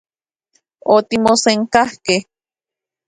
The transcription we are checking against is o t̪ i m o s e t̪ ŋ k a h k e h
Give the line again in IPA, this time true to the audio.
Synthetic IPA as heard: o t̪ i m o s e ŋ k a h k e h